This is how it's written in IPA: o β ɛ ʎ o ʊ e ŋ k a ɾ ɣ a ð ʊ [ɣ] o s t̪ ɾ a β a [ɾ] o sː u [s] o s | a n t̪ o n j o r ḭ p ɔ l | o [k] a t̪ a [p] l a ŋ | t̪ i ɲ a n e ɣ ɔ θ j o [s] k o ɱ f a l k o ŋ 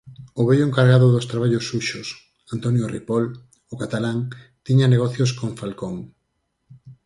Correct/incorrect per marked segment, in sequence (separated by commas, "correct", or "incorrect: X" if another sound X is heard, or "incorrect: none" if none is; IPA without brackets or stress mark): incorrect: ð, incorrect: ʎ, incorrect: ʃ, correct, incorrect: none, correct